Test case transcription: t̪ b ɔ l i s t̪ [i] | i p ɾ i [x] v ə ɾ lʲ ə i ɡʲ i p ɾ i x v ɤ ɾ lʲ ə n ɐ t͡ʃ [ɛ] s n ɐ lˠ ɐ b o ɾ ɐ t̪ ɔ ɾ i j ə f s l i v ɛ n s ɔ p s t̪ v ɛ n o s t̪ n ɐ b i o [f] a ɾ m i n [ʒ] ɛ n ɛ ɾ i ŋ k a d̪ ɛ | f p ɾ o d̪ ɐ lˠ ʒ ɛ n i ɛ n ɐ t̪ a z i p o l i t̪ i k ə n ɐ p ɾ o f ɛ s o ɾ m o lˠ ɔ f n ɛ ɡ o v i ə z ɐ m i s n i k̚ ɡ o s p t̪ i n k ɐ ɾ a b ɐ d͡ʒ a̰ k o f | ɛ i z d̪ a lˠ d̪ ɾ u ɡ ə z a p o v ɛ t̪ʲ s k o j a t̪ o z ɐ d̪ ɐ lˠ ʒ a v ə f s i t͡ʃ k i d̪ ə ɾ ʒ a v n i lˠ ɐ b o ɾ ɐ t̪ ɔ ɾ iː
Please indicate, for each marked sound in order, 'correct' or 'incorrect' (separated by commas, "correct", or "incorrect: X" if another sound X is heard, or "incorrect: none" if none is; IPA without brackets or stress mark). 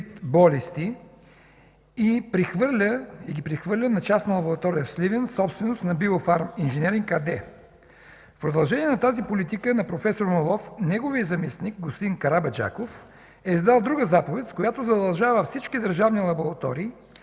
correct, correct, incorrect: a, correct, correct